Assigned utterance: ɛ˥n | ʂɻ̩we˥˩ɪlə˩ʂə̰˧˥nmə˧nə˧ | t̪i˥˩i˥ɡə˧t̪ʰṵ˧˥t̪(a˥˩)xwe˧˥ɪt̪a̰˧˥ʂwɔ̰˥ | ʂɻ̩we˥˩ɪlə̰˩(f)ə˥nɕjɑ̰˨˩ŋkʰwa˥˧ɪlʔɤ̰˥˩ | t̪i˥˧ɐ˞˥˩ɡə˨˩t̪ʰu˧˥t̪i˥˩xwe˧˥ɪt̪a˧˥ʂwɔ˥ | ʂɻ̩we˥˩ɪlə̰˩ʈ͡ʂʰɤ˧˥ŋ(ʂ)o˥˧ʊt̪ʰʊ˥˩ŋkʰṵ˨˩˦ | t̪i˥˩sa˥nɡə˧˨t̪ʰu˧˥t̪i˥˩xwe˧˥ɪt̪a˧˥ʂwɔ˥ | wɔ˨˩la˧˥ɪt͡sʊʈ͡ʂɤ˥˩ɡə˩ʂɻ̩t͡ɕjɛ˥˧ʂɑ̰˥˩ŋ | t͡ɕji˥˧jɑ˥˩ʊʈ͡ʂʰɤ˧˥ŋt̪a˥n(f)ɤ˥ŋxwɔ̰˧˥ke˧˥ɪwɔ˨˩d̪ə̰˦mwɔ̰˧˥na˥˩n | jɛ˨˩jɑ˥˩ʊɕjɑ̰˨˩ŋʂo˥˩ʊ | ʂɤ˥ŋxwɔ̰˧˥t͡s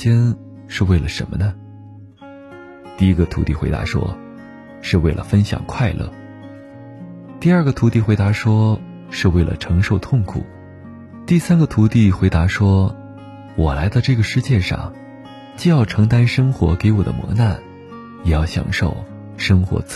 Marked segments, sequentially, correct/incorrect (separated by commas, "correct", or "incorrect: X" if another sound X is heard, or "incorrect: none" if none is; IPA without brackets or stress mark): incorrect: i˥˩, correct, correct, incorrect: ʂ